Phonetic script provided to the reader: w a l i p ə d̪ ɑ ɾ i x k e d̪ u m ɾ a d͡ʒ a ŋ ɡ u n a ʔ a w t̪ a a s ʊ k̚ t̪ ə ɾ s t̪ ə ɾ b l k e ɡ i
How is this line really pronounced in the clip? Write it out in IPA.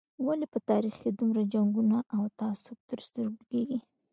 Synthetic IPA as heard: w a l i p ə t̪ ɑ ɾ i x k e d̪ u m ɾ a d͡ʒ a ŋ ɡ u n a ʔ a w t̪ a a s ʊ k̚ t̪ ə ɾ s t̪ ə ɾ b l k e ɡ i